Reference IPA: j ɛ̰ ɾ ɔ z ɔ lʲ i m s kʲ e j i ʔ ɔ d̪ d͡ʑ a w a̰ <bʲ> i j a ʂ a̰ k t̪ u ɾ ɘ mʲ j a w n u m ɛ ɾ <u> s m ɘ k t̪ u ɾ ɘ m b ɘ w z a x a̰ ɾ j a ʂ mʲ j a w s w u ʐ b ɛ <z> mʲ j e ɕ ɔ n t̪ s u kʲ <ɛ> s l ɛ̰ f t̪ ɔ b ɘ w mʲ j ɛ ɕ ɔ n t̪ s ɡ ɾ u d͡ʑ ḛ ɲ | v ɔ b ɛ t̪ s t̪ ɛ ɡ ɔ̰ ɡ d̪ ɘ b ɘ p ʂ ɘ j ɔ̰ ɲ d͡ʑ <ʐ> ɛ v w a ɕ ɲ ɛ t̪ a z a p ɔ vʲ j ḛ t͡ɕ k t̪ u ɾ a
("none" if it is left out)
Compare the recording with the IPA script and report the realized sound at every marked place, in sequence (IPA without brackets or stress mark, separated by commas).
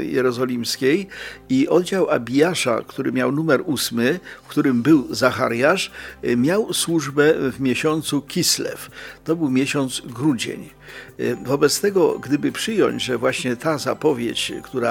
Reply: bʲ, u, v, i, ʐ